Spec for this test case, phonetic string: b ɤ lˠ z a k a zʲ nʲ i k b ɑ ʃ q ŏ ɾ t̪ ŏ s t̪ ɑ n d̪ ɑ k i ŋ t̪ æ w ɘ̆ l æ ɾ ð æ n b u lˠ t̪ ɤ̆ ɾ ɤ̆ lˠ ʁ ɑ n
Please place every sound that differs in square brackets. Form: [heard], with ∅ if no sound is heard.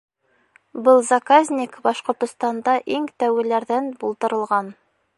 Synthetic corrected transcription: b ɤ lˠ z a k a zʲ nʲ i k b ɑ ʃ q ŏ ɾ t̪ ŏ s t̪ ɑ n d̪ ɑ [ʔ] i ŋ t̪ æ w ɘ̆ l æ ɾ ð æ n b u lˠ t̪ ɤ̆ ɾ ɤ̆ lˠ ʁ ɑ n